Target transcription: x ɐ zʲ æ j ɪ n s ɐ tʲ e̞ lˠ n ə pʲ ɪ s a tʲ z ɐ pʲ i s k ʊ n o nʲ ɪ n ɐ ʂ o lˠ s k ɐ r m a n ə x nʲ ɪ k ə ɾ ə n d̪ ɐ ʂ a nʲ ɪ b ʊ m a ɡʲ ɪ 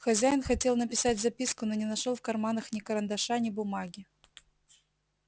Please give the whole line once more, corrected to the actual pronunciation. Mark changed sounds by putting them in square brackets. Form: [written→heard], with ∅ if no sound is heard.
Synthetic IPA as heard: x ɐ zʲ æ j ɪ n [s→x] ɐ tʲ e̞ lˠ n ə pʲ ɪ s a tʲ z ɐ pʲ i s k ʊ n o nʲ ɪ n ɐ ʂ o lˠ [s→f] k ɐ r m a n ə x nʲ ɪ k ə ɾ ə n d̪ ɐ ʂ a nʲ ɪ b ʊ m a ɡʲ ɪ